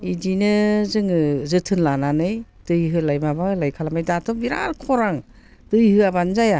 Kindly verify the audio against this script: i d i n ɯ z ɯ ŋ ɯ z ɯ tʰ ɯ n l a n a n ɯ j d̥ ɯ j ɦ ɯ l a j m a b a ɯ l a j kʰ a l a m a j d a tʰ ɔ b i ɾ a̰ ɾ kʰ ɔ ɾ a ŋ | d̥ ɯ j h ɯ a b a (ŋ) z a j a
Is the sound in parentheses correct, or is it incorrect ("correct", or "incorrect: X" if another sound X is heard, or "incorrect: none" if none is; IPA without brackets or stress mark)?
incorrect: n